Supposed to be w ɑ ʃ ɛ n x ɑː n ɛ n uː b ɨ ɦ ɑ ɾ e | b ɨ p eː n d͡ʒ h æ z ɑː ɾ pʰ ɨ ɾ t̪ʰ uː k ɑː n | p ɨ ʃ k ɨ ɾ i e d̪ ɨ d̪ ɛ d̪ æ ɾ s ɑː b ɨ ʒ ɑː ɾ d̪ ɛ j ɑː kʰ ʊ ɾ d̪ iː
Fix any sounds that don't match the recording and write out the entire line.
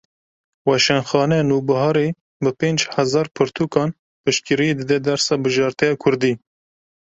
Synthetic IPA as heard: w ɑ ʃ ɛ n x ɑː n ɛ n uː b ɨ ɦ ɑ ɾ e | b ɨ p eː n d͡ʒ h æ z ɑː ɾ pʰ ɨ ɾ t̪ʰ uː k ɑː n | p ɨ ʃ k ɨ ɾ i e d̪ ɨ d̪ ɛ d̪ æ ɾ s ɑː b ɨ ʒ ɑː ɾ t̪ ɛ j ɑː kʰ ʊ ɾ d̪ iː